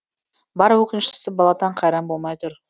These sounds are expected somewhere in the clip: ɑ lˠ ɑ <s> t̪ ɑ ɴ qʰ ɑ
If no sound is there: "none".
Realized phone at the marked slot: none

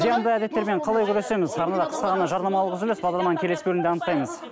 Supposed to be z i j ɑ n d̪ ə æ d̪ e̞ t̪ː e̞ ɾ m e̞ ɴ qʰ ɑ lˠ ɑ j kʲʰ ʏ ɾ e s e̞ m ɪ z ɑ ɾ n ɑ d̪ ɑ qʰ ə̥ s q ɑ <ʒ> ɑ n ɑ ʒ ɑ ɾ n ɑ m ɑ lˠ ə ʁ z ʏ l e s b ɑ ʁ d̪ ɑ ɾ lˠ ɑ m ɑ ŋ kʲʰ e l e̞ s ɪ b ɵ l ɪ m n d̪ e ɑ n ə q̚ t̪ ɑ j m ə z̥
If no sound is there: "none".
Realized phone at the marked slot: ʁ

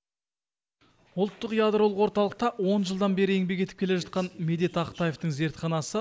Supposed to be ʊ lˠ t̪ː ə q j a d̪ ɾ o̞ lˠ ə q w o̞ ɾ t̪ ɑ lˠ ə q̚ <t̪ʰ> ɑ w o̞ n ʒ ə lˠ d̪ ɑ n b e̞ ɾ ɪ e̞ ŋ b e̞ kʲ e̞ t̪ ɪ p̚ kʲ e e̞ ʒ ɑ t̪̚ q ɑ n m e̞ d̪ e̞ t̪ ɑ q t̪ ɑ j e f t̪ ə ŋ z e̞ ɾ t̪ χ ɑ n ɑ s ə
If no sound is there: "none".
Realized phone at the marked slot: t̪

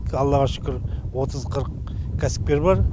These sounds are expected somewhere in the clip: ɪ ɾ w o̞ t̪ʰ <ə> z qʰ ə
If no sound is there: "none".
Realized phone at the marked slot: ə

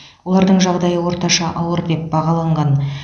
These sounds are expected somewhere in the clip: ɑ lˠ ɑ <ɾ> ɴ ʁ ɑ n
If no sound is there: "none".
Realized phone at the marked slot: none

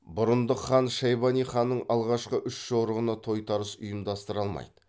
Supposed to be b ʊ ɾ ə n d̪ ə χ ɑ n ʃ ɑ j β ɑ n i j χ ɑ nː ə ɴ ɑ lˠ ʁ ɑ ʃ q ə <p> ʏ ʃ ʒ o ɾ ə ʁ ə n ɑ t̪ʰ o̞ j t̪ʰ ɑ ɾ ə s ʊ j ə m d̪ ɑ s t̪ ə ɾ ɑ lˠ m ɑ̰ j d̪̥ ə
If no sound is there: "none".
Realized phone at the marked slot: ʔ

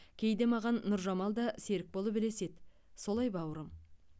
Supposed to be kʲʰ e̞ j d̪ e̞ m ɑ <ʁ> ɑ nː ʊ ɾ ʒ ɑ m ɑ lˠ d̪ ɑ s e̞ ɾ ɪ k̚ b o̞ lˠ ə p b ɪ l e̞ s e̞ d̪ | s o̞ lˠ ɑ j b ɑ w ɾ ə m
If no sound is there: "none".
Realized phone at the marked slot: ʁ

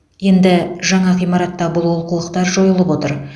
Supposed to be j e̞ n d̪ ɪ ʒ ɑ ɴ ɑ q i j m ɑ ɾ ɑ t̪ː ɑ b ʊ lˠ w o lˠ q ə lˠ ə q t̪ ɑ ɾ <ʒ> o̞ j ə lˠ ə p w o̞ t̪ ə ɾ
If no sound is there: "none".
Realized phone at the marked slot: ʒ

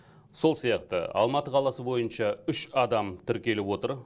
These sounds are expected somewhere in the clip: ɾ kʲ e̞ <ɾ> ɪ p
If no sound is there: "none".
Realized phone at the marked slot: l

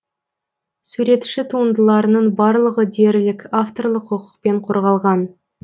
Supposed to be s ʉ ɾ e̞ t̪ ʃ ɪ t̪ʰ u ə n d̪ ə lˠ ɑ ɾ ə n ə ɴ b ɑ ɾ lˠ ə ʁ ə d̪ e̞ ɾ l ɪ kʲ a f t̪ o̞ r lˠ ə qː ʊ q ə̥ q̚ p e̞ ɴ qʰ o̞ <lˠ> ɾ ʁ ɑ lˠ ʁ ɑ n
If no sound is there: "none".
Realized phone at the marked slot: none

